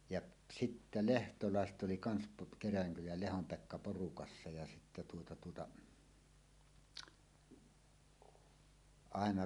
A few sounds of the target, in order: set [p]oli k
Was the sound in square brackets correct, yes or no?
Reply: no